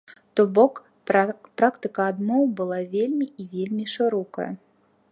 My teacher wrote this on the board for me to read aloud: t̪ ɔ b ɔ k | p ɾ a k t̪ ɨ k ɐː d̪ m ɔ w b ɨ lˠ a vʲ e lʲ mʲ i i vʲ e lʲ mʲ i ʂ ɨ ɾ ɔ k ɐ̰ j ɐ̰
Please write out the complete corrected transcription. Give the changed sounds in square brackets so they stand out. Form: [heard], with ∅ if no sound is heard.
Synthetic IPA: t̪ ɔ b ɔ k | p ɾ a k t̪ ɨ k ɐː d̪ m ɔ w b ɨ lˠ a vʲ e lʲ mʲ i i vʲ e lʲ mʲ i ʂ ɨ ɾ ɔ k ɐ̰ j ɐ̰